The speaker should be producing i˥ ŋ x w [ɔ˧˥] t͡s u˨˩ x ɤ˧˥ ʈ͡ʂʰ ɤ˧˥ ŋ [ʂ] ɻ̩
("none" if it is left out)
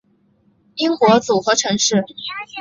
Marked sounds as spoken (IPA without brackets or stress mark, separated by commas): ɔ˧˥, ʂ